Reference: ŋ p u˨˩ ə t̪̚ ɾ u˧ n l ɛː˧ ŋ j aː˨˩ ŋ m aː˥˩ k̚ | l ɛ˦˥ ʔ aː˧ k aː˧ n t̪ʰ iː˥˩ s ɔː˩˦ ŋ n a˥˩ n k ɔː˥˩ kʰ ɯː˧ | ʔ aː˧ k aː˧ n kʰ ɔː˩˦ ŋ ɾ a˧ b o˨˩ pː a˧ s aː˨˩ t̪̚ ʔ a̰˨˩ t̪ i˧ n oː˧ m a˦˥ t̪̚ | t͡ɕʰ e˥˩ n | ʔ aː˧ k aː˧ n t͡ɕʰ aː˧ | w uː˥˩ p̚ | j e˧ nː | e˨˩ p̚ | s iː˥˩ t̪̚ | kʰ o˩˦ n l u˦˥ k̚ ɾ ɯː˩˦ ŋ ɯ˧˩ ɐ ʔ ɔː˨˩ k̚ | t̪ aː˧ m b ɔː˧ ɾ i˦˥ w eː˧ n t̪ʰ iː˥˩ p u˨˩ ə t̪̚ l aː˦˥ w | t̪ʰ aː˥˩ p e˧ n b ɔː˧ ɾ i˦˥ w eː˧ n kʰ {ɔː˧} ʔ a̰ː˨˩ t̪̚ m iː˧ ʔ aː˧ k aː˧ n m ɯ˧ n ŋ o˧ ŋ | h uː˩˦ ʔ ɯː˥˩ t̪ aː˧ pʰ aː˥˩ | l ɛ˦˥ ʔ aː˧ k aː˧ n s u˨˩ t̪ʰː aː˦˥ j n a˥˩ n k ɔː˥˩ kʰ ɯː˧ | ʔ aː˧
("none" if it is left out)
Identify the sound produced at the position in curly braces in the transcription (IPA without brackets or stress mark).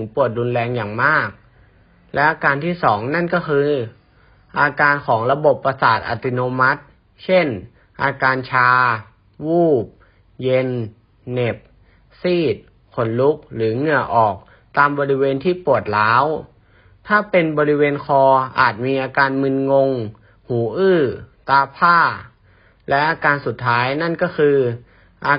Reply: ɔː˧